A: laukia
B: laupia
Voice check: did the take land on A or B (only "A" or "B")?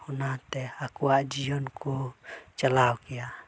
A